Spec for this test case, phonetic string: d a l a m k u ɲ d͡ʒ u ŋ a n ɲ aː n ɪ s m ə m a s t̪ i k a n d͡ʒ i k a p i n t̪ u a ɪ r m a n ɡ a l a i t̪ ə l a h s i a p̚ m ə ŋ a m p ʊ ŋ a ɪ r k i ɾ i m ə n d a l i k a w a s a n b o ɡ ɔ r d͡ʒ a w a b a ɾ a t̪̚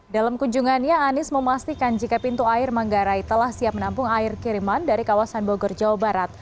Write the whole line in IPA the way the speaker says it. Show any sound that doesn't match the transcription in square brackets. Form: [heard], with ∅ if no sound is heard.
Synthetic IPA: d a l a m k u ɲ d͡ʒ u ŋ a n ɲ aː n ɪ s m ə m a s t̪ i k a n d͡ʒ i k a p i n t̪ u a ɪ r m a [ŋ] ɡ a [ɾ] a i t̪ ə l a h s i a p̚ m ə [n] a m p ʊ ŋ a ɪ r k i ɾ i m [a] n d a [ɾ] i k a w a s a n b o ɡ ɔ r d͡ʒ a w a b a ɾ a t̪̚